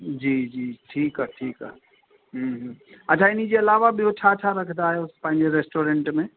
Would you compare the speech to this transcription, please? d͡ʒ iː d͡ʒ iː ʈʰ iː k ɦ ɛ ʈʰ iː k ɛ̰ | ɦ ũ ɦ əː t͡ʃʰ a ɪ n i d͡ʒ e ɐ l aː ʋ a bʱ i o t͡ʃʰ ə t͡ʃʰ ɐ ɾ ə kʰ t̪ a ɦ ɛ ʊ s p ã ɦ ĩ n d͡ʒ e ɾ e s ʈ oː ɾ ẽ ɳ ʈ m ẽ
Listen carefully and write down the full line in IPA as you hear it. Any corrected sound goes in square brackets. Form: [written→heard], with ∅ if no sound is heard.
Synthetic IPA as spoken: d͡ʒ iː d͡ʒ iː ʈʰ iː k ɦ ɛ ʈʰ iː k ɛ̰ | ɦ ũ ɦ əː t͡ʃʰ a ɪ n i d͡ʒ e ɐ l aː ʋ a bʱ i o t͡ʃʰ [ə→a] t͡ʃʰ [ɐ→a] ɾ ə kʰ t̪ a ɦ ɛ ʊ s p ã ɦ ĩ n d͡ʒ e ɾ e s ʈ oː ɾ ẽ ɳ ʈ m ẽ